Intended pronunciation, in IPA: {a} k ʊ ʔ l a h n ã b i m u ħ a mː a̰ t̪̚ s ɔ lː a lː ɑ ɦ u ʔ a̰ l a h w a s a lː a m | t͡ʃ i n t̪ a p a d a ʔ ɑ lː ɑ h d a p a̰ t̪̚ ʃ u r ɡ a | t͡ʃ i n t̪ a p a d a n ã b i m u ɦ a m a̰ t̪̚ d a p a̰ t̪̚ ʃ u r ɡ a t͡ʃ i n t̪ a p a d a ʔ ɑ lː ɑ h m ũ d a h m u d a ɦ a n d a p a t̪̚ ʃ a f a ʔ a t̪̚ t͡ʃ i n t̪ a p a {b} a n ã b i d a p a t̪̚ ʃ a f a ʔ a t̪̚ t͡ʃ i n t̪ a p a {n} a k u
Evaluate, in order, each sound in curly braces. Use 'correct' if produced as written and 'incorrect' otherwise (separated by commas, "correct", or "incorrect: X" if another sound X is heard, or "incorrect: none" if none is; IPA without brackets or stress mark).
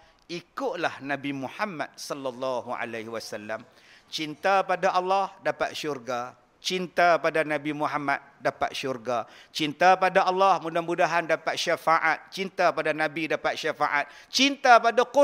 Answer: incorrect: i, incorrect: d, incorrect: d